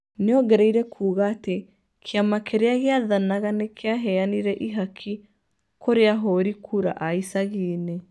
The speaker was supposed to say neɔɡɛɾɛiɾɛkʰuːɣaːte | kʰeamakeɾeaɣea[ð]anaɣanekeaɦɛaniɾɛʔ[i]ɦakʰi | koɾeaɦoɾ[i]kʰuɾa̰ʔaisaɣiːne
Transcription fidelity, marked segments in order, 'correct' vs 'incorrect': correct, correct, correct

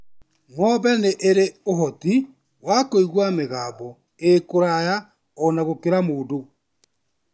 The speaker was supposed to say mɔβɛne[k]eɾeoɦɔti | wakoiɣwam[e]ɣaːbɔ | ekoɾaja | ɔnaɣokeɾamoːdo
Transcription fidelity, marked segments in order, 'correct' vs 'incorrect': incorrect, correct

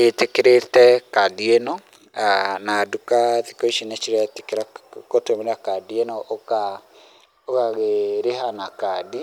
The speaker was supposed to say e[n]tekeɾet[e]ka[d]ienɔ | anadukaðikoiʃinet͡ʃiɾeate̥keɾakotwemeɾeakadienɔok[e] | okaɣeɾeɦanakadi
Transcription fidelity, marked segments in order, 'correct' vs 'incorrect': incorrect, incorrect, correct, incorrect

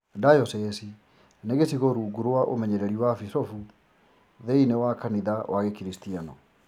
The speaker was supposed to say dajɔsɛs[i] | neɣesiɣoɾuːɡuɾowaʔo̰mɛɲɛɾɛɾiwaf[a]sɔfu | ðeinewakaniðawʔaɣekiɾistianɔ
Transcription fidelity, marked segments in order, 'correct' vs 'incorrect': correct, incorrect

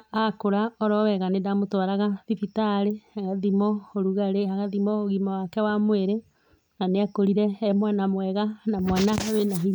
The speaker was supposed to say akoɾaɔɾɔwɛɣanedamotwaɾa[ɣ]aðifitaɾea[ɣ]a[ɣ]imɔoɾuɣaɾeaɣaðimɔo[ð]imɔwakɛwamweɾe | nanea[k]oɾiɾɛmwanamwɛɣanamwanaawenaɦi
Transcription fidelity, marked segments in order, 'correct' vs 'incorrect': correct, correct, incorrect, incorrect, correct

